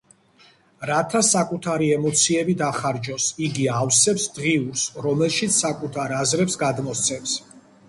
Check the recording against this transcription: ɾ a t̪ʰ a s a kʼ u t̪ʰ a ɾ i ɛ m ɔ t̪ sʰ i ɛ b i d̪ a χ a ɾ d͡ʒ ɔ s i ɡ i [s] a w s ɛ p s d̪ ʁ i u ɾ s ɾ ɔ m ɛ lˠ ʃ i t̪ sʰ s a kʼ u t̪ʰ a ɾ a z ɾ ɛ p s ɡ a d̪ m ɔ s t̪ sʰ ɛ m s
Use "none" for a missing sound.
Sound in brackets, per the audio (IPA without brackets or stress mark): none